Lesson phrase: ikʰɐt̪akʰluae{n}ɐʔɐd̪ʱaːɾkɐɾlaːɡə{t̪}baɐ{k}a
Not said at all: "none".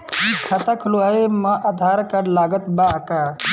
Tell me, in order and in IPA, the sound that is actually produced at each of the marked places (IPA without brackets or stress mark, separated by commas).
m, t̪, k